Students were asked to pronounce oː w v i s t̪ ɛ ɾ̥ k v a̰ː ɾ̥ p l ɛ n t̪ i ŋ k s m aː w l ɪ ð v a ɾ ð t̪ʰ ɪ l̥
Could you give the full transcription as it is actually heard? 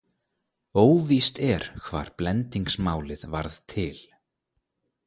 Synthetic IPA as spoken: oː w v i s t̪ ɛ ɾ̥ kʰ v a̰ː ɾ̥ p l ɛ n t̪ i ŋ k s m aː w l ɪ ð v a ɾ ð t̪ʰ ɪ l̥